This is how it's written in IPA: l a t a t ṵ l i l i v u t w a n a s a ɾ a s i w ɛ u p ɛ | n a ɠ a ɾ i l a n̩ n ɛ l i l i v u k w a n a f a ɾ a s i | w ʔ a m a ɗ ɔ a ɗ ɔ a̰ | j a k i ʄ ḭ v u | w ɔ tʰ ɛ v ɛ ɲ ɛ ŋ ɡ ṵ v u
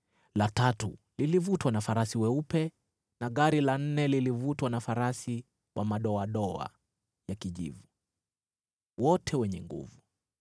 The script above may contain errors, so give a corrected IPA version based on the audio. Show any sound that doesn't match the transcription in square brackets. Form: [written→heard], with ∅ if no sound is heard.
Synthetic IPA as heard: l a t a t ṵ l i l i v u t w a n a [s→f] a ɾ a s i w ɛ u p ɛ | n a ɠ a ɾ i l a n̩ n ɛ l i l i v u [k→t] w a n a f a ɾ a s i | w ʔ a m a ɗ ɔ a ɗ ɔ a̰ | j a k i ʄ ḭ v u | w ɔ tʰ ɛ [v→w] ɛ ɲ ɛ ŋ ɡ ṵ v u